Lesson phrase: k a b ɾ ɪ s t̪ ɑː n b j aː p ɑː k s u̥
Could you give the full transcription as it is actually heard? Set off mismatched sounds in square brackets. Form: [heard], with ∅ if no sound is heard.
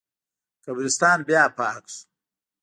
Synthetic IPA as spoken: k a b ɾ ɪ s t̪ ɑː n b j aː p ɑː k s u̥